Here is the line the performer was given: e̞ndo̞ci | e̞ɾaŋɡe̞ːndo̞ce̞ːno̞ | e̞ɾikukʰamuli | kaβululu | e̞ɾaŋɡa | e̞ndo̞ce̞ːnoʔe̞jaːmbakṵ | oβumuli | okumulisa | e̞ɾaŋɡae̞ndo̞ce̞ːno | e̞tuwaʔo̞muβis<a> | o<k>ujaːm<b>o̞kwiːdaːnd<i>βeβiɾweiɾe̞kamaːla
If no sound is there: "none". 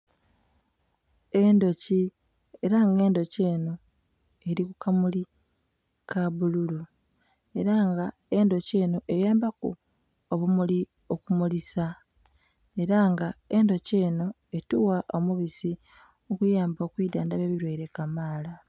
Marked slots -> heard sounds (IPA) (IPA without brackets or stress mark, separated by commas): i, k, b, a